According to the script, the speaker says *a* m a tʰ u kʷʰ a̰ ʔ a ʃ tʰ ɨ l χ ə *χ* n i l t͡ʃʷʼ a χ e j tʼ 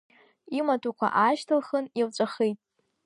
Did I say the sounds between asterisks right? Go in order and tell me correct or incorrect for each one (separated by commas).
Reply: incorrect, incorrect